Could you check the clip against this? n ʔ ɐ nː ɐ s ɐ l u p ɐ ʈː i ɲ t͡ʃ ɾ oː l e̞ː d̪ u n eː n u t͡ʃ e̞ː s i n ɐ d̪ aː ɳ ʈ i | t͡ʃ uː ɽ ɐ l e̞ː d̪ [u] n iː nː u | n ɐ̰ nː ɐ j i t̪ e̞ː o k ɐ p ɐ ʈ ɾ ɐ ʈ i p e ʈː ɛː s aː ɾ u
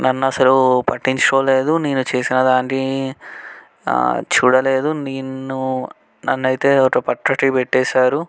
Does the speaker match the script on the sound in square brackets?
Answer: yes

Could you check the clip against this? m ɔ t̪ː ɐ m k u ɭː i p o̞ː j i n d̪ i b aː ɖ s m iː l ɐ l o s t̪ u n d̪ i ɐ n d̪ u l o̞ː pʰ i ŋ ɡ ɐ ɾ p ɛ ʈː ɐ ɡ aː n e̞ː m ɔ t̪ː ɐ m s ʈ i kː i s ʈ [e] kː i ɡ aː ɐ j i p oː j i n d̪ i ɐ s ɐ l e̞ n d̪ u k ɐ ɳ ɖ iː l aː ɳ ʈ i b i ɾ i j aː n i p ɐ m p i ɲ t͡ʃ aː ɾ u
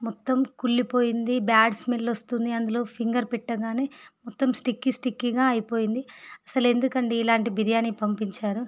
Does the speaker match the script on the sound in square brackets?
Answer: no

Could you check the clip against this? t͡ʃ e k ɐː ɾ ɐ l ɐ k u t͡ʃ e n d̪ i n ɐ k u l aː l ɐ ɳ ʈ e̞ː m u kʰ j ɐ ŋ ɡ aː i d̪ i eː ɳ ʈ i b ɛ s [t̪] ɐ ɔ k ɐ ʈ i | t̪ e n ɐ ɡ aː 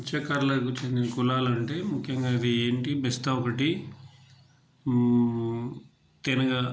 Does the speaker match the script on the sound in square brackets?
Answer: yes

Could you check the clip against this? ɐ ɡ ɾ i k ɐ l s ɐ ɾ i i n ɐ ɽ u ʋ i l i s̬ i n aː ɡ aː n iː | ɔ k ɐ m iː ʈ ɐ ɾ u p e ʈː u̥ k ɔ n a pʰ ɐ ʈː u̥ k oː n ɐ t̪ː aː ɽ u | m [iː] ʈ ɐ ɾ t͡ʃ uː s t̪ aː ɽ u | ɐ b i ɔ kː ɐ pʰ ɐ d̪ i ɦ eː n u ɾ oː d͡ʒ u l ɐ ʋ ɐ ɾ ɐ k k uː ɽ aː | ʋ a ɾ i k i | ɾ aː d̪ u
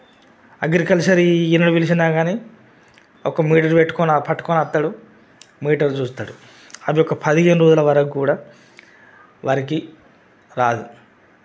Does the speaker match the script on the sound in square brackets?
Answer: yes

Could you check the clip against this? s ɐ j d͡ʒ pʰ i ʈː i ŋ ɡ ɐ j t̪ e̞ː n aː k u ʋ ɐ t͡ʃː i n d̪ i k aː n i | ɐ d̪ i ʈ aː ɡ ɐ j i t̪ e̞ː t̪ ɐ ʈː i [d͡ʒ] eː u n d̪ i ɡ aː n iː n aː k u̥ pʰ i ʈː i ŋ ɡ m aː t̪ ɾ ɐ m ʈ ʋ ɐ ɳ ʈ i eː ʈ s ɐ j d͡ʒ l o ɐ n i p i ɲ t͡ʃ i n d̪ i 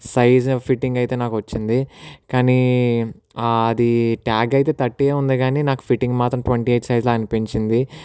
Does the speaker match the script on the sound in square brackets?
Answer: no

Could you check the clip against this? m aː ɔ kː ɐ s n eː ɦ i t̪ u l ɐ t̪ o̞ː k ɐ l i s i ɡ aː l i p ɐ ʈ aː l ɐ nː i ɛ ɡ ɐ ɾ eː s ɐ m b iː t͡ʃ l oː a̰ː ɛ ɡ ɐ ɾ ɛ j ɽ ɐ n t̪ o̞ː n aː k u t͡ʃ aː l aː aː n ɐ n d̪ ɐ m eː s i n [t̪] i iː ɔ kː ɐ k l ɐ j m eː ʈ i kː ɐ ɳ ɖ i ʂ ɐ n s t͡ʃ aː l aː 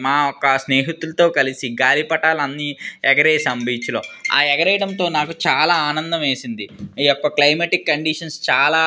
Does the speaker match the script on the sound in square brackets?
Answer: no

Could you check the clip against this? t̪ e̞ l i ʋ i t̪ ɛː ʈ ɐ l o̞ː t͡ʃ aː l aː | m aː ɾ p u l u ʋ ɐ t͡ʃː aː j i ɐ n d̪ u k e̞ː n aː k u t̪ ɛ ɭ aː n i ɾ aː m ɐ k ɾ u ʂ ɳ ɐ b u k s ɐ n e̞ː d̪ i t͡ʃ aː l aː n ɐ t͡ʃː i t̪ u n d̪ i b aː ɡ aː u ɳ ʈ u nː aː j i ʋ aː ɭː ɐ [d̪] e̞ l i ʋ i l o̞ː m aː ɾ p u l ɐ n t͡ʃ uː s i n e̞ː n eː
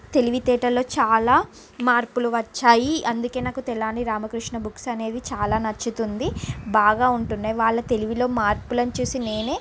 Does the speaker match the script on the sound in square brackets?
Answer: no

